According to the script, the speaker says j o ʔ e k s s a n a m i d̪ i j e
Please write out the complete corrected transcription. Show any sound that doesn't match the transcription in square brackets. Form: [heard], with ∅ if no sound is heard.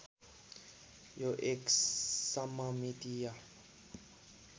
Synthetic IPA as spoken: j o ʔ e k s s a [m] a m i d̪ i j [a]